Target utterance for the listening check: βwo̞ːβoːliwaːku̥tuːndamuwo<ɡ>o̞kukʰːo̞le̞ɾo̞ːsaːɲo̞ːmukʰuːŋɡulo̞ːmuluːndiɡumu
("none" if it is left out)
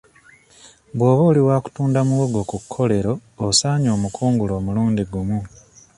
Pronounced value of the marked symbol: ɡ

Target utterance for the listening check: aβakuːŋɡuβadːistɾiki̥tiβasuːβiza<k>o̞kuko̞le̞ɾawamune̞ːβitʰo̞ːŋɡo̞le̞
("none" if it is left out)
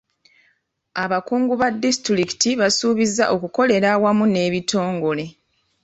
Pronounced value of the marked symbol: ʔ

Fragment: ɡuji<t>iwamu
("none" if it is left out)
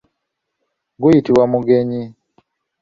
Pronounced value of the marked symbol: t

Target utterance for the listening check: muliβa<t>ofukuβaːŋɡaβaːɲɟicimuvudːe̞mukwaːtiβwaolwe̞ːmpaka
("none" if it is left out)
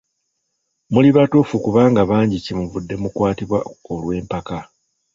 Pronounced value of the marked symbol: t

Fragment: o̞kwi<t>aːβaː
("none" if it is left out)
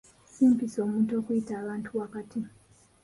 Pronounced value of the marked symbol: t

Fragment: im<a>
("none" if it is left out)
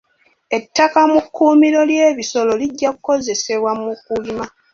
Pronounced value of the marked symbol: a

